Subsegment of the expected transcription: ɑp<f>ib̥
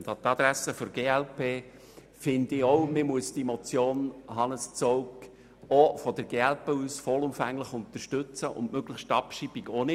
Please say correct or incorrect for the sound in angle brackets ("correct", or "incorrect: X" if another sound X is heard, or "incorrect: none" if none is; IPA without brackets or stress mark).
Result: incorrect: ʃ